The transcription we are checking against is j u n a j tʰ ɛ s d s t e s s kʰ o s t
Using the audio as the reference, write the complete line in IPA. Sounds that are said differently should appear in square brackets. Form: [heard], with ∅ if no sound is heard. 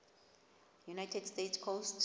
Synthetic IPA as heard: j u n a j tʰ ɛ [∅] d s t e [t] s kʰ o s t